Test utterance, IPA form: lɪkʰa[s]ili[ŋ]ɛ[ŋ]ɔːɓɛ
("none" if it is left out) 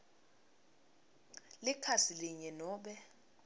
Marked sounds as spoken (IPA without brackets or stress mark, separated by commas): s, ɲ, n